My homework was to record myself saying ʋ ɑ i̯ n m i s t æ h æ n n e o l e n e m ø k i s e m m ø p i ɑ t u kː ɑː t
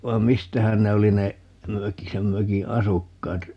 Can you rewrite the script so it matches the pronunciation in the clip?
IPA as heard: ʋ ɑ i̯ m m i s t æ h æ n n e o l i n e m ø k i s e m m ø k i ɑ s u kː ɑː t